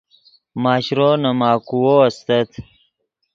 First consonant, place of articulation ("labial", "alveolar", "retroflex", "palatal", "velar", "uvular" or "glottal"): labial